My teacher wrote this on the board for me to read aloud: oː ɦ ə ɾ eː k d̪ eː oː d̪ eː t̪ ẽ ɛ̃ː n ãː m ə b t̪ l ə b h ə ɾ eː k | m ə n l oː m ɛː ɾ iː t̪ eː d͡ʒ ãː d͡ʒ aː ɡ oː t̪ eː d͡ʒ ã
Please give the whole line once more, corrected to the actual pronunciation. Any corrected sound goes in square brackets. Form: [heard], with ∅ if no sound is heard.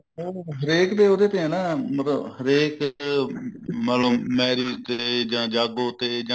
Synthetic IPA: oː ɦ ə ɾ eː k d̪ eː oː d̪ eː t̪ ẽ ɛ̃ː n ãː m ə [∅] t̪ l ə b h ə ɾ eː k | m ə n l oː m ɛː ɾ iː t̪ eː d͡ʒ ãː d͡ʒ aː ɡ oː t̪ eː d͡ʒ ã